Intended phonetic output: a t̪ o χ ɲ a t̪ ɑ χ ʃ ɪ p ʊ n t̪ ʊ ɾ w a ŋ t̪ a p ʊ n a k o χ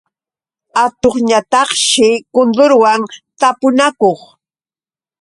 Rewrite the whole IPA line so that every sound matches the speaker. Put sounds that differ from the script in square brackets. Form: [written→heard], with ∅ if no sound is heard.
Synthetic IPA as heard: a t̪ o χ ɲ a t̪ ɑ χ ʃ ɪ [p→k] ʊ n [t̪→d̪] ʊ ɾ w a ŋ t̪ a p ʊ n a k o χ